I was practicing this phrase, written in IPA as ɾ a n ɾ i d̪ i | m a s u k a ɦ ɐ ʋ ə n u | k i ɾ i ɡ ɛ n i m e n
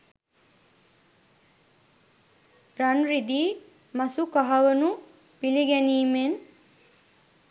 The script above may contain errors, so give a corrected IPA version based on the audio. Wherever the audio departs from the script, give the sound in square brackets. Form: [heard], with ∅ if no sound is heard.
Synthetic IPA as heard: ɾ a n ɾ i d̪ [iː] | m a s u k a ɦ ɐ ʋ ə n u | [p] i [l] i ɡ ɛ n [iː] m e n